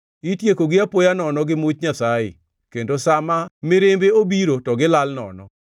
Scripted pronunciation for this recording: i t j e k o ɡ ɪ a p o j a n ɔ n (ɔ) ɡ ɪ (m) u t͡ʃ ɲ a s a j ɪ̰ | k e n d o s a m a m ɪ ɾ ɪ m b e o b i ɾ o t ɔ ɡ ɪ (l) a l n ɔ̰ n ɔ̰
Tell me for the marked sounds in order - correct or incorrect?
correct, correct, correct

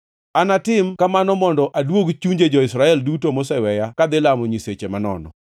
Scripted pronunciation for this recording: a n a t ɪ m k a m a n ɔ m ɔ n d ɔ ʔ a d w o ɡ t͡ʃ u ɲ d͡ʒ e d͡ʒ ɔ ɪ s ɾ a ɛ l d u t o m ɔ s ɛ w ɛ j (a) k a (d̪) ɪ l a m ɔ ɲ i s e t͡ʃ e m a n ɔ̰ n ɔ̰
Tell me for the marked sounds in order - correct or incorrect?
correct, correct

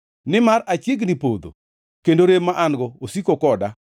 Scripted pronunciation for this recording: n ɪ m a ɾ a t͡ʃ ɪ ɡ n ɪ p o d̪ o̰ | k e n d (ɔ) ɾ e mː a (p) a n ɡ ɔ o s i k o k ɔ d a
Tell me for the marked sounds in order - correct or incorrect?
incorrect: o, incorrect: ʔ

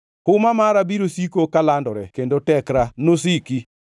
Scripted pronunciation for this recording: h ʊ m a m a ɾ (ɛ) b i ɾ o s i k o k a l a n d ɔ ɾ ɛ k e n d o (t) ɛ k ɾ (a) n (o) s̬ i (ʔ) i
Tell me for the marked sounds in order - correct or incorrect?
incorrect: a, correct, correct, correct, incorrect: k

